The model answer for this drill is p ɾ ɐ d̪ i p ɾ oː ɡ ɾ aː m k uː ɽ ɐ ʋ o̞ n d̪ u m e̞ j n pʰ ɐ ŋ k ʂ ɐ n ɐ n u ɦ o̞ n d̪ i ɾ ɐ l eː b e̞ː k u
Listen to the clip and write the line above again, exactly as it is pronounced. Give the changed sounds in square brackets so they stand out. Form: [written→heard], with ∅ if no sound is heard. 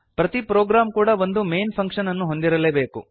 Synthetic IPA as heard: p ɾ ɐ [d̪→t̪] i p ɾ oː ɡ ɾ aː m k uː ɽ ɐ ʋ o̞ n d̪ u m e̞ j n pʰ ɐ ŋ k ʂ ɐ n ɐ [n→nː] u ɦ o̞ n d̪ i ɾ ɐ l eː b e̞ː k u